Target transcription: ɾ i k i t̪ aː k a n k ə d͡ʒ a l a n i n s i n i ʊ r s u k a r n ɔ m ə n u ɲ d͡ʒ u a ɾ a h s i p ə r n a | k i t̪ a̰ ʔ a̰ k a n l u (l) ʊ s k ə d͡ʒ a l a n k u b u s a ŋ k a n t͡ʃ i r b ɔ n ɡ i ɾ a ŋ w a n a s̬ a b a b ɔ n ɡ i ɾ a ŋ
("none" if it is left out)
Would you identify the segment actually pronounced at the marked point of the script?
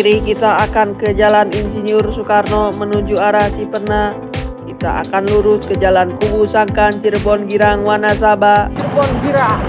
ɾ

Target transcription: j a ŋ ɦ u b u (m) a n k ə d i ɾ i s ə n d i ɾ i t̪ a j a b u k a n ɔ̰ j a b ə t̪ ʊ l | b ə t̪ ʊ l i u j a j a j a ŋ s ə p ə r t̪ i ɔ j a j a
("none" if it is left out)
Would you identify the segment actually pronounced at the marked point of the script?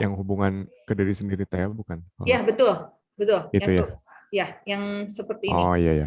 ŋ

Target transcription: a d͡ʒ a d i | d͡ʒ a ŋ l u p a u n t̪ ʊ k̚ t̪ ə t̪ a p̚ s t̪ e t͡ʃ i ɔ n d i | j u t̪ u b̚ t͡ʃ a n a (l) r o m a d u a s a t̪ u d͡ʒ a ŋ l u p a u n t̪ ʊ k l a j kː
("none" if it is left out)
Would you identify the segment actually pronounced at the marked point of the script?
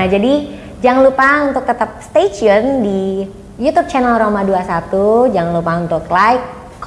l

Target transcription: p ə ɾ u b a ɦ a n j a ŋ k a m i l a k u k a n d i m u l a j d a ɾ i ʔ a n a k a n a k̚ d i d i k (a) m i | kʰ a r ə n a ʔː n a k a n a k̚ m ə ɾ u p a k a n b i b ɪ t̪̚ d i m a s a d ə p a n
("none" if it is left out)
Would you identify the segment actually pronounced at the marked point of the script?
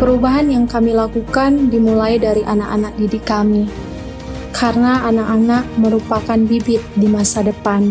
a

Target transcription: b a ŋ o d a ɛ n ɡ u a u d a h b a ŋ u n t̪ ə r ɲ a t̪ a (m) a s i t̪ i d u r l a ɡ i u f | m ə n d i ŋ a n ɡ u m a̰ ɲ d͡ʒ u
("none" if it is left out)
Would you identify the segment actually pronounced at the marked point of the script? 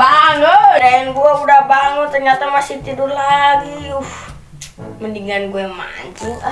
m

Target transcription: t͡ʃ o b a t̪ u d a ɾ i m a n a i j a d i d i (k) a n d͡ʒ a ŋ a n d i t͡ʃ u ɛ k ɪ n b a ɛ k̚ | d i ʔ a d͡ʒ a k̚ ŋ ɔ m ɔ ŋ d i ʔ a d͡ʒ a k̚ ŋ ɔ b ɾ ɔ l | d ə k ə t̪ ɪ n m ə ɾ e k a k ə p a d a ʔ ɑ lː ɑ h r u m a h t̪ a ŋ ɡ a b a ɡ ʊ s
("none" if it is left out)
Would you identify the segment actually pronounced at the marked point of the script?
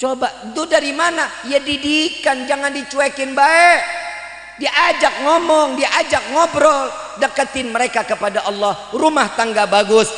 k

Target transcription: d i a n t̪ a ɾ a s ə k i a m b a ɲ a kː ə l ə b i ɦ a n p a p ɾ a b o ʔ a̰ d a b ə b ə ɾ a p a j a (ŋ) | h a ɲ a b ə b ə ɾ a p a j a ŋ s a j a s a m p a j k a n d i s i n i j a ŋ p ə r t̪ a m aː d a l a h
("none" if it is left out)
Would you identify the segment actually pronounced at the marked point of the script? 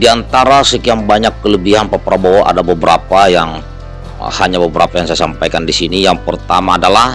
ŋ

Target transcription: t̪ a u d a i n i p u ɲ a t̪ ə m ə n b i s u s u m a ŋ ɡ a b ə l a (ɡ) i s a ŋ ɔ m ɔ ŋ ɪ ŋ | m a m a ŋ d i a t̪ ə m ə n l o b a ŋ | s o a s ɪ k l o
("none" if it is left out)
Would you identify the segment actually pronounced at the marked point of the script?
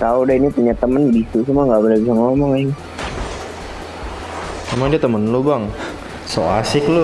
b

